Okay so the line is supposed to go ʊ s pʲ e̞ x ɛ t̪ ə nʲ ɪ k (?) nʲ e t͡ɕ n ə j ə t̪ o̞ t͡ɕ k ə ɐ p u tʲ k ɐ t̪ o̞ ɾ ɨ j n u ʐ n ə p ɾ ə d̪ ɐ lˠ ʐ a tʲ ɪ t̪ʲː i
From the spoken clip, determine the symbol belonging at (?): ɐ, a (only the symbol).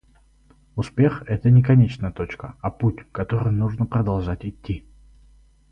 ɐ